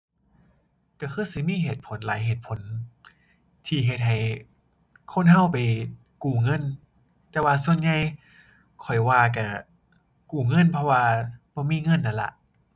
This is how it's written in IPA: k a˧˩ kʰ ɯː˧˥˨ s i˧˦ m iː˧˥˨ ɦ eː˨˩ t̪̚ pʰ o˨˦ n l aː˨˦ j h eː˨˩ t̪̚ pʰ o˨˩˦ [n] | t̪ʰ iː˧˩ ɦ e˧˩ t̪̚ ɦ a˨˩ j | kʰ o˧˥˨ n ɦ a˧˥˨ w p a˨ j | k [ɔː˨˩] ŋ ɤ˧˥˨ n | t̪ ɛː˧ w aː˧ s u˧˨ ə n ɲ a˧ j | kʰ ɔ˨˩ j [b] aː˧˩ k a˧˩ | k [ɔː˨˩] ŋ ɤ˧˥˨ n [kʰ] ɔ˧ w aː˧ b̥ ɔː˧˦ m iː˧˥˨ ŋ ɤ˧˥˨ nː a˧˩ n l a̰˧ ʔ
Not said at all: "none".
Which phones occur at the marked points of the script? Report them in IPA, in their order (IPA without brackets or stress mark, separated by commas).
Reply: n, uː˨˩, w, uː˨˩, pʰ